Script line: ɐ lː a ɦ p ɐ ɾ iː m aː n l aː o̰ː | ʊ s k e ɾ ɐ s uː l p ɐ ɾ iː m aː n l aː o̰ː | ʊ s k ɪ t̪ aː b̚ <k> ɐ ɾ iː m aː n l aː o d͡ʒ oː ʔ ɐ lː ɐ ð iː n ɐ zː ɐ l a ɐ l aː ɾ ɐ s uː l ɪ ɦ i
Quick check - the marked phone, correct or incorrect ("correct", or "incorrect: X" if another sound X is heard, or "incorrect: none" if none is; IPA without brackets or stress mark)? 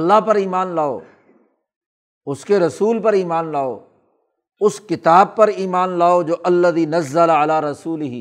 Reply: incorrect: p